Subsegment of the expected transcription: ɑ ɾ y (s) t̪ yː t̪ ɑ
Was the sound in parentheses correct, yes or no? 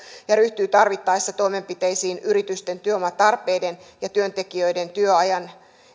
no